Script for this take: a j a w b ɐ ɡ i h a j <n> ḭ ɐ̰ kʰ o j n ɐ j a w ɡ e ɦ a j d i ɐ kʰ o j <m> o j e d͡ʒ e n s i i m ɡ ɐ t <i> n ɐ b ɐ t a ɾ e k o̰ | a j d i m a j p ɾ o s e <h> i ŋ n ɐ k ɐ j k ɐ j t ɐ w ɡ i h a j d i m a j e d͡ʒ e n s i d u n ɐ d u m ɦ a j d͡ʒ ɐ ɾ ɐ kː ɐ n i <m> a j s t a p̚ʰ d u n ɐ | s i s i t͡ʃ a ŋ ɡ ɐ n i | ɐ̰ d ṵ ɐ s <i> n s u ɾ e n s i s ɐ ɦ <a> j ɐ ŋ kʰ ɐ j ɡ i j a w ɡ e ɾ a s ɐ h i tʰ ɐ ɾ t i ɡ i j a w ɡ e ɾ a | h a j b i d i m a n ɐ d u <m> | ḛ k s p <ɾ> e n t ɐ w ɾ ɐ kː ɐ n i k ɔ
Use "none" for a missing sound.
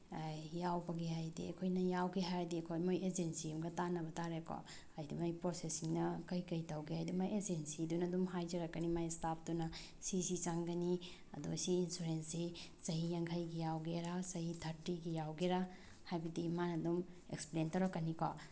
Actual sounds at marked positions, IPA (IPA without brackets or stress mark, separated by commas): d, m, a, s, m, iː, i, m, l